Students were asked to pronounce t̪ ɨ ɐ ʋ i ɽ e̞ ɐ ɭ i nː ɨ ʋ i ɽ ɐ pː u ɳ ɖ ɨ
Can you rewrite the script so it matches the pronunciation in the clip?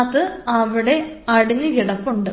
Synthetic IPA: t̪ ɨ ɐ ʋ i ɽ e̞ ɐ ɽ i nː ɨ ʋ i ɽ ɐ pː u ɳ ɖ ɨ